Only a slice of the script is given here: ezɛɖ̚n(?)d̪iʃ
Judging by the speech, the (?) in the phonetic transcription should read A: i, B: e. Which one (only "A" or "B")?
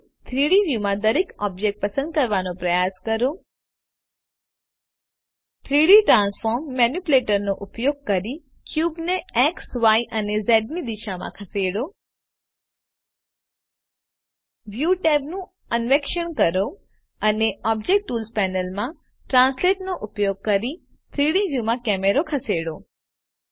A